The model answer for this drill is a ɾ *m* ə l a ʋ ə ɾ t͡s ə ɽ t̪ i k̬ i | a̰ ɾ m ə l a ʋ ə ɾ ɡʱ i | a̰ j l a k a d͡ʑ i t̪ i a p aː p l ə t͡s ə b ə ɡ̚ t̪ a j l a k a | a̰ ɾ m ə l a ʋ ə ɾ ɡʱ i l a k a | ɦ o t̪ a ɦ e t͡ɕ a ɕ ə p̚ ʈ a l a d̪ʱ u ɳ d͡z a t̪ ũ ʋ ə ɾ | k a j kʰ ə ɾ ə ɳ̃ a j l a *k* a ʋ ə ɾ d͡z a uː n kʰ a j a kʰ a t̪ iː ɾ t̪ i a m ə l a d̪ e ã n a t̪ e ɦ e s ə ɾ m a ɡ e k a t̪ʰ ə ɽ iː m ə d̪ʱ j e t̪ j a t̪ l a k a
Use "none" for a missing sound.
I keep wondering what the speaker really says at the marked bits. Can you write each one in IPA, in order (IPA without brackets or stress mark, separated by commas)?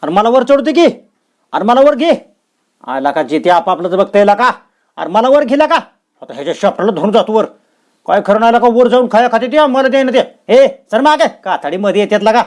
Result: m, k